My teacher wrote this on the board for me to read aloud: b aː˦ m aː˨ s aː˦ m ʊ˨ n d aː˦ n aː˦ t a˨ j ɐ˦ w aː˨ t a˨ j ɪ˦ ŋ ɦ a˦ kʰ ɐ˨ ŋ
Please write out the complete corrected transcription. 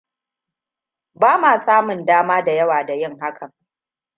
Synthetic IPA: b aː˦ m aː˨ s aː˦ m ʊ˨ n d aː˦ m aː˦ d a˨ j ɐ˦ w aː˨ d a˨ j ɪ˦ ŋ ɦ a˦ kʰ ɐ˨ ŋ